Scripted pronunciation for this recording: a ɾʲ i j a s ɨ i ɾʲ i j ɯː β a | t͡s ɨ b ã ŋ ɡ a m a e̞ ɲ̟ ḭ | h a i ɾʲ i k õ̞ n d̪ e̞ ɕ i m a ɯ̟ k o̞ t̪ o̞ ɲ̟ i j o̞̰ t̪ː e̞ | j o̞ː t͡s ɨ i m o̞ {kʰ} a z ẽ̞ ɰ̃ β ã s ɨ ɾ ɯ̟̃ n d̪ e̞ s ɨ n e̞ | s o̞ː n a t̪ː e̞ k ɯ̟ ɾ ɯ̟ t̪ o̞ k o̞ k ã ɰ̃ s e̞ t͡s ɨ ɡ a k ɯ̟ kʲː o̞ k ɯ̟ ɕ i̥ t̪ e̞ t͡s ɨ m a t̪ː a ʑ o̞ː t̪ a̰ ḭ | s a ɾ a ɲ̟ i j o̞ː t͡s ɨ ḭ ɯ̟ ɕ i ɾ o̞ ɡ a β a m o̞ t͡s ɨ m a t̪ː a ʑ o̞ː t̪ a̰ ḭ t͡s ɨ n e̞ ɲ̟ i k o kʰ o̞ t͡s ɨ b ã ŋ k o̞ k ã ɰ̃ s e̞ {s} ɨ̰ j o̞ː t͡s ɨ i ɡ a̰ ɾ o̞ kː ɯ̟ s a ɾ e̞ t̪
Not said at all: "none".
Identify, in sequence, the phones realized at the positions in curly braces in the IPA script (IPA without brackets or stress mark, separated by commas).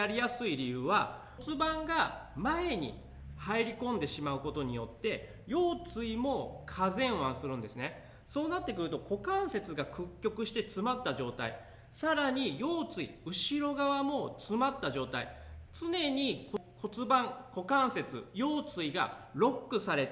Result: kʰ, t͡s